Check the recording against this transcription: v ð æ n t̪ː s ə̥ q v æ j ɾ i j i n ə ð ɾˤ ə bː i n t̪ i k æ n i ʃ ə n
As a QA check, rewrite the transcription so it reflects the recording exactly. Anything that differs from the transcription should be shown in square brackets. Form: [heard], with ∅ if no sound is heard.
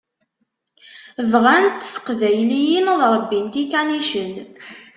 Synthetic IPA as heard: v [ʁ] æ n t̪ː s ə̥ q v æ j [l] i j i n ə ð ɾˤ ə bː i n t̪ i k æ n i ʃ ə n